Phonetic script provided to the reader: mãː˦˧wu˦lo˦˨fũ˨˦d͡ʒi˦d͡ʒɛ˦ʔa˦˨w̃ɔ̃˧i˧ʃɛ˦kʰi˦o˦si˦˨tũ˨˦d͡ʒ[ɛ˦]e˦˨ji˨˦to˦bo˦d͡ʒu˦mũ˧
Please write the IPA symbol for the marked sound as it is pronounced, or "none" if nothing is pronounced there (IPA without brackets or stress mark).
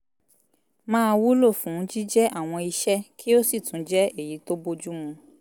ɛ˦